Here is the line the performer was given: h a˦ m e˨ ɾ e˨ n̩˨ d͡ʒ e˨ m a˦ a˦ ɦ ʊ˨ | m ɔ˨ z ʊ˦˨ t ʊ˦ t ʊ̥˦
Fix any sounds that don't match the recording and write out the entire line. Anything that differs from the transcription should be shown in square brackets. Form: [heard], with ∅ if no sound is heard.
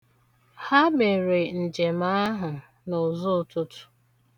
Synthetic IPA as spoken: h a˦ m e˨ ɾ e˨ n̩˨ d͡ʒ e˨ m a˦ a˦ ɦ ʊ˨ | [n] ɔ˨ z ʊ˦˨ t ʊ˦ t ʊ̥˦